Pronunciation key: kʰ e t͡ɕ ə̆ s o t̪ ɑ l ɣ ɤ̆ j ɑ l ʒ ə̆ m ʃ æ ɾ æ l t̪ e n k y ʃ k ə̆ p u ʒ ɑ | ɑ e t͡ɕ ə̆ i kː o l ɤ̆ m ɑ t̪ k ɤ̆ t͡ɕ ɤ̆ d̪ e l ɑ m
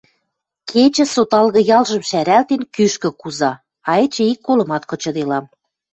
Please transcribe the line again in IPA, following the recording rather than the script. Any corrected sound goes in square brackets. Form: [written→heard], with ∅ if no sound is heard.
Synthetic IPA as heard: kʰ e t͡ɕ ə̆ s o t̪ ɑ l ɣ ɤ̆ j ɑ l ʒ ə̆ m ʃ æ ɾ æ l t̪ e n k y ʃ k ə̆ [p→k] u [ʒ→z] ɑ | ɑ e t͡ɕ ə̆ i kː o l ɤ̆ m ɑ t̪ k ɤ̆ t͡ɕ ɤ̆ d̪ e l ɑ m